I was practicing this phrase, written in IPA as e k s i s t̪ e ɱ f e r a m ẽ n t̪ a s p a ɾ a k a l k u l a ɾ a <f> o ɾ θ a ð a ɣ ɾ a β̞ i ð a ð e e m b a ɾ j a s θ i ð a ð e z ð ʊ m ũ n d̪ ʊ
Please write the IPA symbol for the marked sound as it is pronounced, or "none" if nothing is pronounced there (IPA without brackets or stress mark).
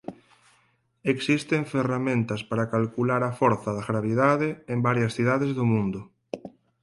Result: f